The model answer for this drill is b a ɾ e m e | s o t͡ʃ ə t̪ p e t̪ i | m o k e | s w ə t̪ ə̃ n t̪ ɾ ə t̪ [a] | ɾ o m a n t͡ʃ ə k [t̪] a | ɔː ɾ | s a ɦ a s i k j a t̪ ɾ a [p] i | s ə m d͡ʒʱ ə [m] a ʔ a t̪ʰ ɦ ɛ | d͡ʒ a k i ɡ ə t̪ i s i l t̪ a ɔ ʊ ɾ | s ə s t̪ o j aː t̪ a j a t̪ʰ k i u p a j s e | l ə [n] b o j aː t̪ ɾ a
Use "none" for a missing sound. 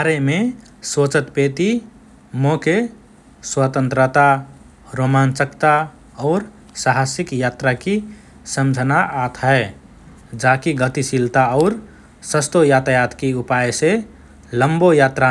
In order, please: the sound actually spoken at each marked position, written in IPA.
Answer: a, t̪, k, n, m

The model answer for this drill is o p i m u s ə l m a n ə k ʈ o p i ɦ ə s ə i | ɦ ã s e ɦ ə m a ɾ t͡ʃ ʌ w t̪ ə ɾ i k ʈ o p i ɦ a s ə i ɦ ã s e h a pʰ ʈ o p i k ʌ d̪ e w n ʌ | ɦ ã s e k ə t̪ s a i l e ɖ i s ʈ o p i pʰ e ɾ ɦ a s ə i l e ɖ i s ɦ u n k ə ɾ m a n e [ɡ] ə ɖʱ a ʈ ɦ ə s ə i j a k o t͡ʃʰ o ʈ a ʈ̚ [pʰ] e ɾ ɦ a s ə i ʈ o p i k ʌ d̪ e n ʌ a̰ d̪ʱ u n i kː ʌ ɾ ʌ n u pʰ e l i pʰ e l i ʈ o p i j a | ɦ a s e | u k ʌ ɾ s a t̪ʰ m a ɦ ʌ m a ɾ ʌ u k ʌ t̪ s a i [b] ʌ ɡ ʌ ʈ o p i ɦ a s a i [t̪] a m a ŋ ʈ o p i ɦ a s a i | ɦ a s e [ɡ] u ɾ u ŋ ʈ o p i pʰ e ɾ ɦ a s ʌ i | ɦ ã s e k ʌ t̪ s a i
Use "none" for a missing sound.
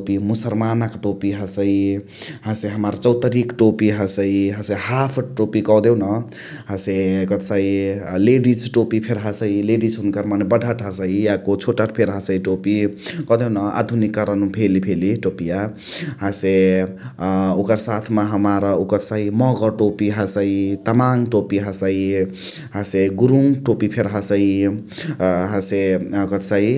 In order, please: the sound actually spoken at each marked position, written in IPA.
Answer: b, pʰ, m, t̪, ɡ

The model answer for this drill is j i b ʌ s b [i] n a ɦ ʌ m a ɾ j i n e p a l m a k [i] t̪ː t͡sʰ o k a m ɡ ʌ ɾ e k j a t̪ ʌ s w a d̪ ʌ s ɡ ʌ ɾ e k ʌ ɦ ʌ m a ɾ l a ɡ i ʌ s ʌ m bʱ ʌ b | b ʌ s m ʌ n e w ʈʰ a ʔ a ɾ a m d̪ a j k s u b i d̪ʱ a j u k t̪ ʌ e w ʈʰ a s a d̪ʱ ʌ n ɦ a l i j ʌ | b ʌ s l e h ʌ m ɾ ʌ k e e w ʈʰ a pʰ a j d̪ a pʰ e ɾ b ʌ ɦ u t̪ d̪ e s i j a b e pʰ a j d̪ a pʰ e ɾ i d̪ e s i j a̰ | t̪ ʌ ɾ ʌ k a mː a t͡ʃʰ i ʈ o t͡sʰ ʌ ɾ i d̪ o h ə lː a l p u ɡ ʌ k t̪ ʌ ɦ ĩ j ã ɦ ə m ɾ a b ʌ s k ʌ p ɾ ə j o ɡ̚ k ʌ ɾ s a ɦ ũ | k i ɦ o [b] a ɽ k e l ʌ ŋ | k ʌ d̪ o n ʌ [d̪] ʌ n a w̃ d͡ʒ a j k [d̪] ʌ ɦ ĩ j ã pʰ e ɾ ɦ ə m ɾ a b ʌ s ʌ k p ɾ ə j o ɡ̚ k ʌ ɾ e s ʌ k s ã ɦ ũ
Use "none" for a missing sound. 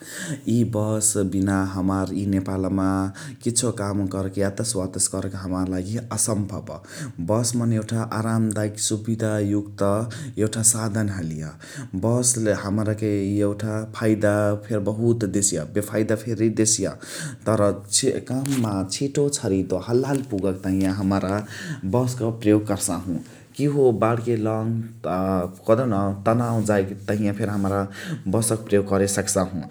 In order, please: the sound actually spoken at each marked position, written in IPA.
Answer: i, i, b, t̪, t̪

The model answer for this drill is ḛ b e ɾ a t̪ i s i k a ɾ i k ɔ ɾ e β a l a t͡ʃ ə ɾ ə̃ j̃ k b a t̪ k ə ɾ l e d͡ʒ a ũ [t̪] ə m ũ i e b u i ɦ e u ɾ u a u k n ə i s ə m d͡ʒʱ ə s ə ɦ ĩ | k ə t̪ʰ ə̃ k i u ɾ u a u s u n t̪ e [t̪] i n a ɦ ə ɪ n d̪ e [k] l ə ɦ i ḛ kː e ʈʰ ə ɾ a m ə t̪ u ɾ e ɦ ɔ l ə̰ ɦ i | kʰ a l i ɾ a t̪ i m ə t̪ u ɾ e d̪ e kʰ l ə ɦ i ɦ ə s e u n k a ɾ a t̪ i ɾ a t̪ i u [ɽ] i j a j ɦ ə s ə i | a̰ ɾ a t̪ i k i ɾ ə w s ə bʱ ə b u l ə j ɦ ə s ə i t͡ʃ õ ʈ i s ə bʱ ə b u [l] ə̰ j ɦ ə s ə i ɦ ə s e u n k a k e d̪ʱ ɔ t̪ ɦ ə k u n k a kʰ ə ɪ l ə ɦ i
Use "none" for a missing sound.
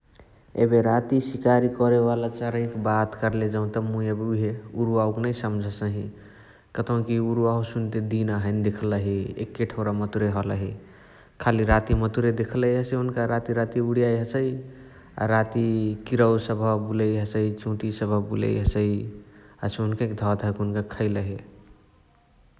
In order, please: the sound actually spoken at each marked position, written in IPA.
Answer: t̪, d̪, kʰ, ɽ, l

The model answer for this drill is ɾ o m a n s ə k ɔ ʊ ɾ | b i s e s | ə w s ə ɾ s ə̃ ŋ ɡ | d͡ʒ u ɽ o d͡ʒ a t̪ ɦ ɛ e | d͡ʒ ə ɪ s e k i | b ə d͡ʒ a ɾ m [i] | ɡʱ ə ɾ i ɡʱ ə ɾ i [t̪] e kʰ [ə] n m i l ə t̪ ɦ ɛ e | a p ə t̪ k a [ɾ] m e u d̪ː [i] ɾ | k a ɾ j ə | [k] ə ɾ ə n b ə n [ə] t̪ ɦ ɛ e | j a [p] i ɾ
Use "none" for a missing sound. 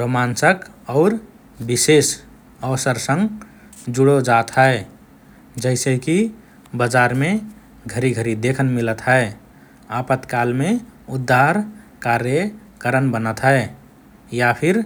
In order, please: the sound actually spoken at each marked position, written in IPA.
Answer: e, d̪, ə, l, a, k, ə, pʰ

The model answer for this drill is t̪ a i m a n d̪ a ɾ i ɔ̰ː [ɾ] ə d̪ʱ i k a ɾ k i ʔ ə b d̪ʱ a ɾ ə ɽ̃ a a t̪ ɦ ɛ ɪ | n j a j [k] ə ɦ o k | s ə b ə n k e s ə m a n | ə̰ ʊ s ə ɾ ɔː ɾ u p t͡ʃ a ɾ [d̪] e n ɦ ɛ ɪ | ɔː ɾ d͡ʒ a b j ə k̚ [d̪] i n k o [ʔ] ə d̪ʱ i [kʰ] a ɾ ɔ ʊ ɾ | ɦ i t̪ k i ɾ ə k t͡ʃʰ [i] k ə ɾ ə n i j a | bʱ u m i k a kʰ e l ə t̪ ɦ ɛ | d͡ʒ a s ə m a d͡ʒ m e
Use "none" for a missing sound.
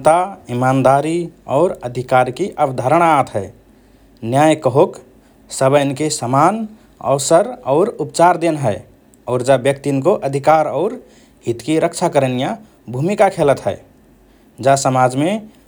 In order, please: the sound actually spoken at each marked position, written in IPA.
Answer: ɾ, k, d̪, t̪, ʔ, k, a

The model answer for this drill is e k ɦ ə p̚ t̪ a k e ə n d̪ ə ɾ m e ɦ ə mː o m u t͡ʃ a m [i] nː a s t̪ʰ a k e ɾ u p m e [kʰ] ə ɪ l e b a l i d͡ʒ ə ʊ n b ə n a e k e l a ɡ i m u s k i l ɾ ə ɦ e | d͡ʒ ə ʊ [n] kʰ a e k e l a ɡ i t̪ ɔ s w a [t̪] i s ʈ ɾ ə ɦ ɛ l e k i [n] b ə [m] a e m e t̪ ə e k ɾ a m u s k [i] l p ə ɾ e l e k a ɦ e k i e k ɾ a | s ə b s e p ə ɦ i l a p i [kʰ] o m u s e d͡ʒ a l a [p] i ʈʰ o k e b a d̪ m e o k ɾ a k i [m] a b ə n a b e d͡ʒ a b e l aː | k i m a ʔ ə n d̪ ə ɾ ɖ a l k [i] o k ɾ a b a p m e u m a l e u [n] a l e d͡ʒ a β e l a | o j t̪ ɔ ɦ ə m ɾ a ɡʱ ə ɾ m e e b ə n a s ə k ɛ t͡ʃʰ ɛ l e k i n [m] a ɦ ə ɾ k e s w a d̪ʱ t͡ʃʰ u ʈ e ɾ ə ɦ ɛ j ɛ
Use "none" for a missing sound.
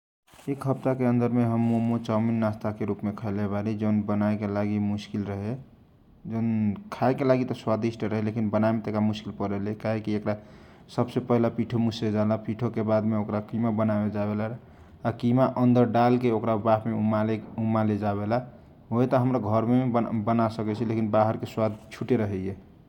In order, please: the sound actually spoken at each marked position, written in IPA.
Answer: i, kʰ, n, d̪, n, n, i, ʈʰ, p, m, e, m, b

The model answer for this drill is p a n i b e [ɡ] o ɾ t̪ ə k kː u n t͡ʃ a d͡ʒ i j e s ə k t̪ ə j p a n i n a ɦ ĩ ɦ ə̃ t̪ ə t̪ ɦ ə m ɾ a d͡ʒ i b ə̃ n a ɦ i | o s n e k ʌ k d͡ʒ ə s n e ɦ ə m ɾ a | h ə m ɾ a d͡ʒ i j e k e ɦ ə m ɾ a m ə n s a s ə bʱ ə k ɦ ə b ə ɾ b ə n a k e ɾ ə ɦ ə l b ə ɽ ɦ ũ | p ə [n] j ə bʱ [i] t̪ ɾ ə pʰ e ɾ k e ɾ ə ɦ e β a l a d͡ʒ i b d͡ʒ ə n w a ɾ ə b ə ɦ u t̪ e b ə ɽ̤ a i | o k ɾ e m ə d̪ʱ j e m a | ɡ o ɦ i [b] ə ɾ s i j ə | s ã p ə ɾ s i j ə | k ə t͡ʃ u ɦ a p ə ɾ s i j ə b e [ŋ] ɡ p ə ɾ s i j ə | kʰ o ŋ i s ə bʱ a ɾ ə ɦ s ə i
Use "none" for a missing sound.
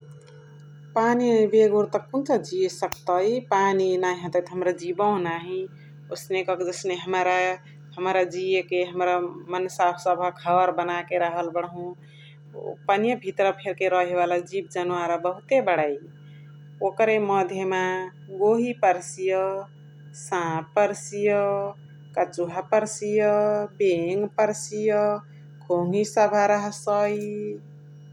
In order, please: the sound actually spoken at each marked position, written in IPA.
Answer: ɡ, n, i, p, ŋ

